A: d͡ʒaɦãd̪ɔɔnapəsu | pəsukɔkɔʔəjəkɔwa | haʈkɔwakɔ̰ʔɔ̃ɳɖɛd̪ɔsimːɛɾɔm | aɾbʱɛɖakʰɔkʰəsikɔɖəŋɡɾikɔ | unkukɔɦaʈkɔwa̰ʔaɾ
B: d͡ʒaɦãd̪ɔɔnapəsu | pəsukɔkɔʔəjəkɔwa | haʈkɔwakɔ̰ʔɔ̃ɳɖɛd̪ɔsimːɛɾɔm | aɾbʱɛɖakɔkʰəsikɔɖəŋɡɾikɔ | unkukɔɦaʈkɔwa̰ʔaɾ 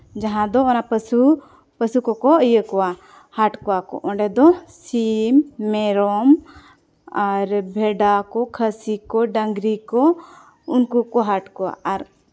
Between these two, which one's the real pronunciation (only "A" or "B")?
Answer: B